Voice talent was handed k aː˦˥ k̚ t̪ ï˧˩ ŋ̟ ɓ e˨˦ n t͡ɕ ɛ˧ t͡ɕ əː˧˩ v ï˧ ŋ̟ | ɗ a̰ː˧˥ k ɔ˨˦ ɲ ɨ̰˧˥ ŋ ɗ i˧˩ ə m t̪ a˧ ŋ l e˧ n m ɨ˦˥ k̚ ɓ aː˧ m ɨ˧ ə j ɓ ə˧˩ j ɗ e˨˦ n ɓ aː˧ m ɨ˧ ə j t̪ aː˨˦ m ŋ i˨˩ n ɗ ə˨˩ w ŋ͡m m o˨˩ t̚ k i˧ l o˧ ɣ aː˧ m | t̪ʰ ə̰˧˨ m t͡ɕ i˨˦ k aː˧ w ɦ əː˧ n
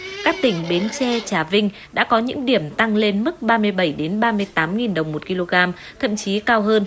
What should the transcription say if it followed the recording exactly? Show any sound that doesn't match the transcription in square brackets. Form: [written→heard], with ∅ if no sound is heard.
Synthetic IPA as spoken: k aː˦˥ k̚ t̪ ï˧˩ ŋ̟ ɓ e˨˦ n t͡ɕ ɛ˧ t͡ɕ [əː˧˩→aː˧˩] v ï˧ ŋ̟ | ɗ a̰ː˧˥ k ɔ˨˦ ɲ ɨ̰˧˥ ŋ ɗ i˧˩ ə m t̪ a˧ ŋ l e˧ n m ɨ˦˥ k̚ ɓ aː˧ m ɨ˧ ə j ɓ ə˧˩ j ɗ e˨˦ n ɓ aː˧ m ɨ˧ ə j t̪ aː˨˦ m ŋ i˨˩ n ɗ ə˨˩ w ŋ͡m m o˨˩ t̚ k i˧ l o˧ ɣ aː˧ m | t̪ʰ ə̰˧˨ m t͡ɕ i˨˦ k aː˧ w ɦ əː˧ n